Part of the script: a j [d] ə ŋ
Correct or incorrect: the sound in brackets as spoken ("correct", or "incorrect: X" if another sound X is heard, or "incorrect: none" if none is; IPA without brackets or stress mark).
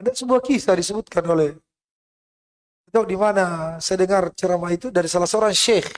correct